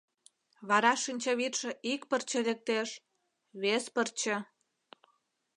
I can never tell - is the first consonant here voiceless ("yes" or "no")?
no